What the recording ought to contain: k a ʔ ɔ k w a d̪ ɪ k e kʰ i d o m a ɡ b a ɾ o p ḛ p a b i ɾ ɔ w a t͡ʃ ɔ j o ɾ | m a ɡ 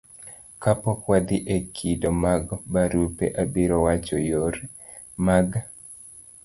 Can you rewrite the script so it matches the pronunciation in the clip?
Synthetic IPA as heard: k a p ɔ k w a d̪ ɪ ʔ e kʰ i d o m a ɡ b a ɾ u p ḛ ʔ a b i ɾ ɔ w a t͡ʃ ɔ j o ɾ | m a ɡ